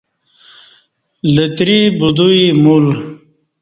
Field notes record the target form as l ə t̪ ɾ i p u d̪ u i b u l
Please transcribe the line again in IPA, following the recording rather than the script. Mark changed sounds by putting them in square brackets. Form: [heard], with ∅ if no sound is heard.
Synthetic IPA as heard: l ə t̪ ɾ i [b] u d̪ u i [m] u l